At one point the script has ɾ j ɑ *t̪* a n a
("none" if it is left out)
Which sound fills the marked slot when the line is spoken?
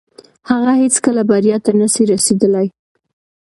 t̪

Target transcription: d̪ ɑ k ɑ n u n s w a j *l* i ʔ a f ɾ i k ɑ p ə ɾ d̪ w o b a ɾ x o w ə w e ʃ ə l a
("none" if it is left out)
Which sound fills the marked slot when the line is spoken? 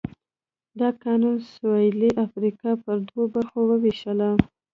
l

